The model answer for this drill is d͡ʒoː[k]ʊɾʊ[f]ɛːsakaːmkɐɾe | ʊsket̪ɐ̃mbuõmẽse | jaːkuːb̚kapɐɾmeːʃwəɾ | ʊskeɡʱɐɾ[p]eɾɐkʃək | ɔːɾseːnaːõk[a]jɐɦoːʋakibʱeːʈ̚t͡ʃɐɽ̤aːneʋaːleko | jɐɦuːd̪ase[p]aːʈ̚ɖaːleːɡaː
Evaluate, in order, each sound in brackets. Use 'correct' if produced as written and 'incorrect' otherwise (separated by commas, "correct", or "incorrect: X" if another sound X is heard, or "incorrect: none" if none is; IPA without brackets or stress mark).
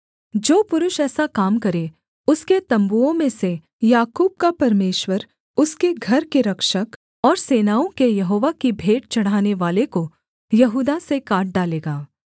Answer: incorrect: p, incorrect: ʃ, incorrect: k, incorrect: e, incorrect: k